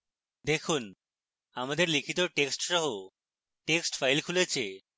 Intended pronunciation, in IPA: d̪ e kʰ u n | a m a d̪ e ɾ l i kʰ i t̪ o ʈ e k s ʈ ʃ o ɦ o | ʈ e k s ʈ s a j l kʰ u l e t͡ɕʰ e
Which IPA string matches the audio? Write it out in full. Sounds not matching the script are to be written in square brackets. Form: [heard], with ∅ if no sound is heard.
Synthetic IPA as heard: d̪ e kʰ u n | a m a d̪ e ɾ l i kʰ i t̪ o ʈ e k s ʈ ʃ [ɔ] ɦ o | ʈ e k s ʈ [f] a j l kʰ u l e t͡ɕʰ e